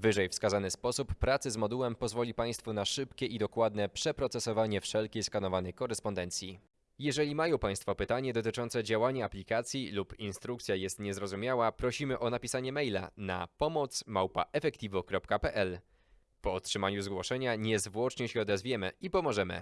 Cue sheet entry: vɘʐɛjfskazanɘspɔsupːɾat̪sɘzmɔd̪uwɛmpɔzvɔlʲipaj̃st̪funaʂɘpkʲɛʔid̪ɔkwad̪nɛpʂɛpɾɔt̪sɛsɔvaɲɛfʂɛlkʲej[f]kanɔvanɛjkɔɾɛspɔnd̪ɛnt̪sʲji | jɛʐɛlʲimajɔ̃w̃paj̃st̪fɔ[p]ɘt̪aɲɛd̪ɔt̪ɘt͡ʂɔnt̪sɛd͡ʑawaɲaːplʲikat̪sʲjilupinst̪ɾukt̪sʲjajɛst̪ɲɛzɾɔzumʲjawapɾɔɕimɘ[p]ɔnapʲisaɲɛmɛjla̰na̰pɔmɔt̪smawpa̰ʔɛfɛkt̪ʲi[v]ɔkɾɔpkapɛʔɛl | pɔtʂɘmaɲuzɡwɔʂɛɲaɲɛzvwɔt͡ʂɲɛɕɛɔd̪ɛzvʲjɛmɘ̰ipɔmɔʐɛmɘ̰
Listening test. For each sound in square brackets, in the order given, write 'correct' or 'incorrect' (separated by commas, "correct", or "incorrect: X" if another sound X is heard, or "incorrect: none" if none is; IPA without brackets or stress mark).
incorrect: s, correct, incorrect: ʔ, correct